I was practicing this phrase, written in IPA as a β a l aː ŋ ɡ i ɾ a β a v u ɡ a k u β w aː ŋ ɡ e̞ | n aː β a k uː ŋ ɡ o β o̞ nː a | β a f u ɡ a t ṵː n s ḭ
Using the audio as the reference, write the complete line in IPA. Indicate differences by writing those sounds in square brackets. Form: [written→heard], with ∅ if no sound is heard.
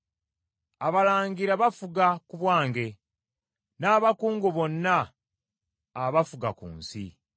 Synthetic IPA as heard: a β a l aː ŋ ɡ i ɾ a β a [v→f] u ɡ a k u β w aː ŋ ɡ e̞ | n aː β a k uː ŋ ɡ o β o̞ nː a | β a f u ɡ a [t→k] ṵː n s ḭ